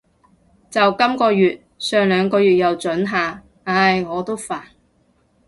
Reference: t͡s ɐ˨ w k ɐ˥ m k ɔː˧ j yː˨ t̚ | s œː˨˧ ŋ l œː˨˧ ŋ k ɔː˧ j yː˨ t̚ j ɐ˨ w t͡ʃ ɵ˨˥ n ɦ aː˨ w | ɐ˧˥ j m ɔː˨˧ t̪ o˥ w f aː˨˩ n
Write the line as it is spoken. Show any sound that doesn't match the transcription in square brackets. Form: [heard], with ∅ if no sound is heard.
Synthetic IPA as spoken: t͡s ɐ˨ w k ɐ˥ m k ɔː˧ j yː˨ t̚ | s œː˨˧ ŋ l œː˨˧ ŋ k ɔː˧ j yː˨ t̚ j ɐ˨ w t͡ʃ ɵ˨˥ n ɦ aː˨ [∅] | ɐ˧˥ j [ŋ] ɔː˨˧ t̪ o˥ w f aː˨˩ n